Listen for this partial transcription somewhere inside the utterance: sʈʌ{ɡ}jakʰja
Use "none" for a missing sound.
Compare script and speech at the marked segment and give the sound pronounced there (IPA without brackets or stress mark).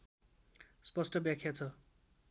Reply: b